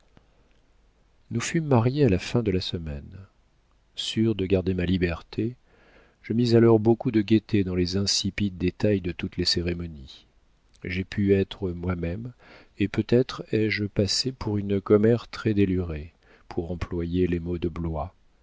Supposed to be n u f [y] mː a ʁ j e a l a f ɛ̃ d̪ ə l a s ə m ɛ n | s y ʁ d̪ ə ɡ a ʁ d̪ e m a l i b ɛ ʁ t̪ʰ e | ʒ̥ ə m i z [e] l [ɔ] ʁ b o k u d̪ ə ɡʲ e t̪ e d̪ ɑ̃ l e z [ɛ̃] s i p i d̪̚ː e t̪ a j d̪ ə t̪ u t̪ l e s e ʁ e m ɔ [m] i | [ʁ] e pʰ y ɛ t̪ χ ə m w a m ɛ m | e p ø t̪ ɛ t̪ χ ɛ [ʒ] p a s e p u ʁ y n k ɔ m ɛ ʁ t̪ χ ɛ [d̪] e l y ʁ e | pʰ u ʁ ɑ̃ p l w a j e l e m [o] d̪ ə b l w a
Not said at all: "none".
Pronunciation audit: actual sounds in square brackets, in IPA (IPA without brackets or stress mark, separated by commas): y, a, ɔ, ɛ̃, n, ʒ, ʒ, d̪, o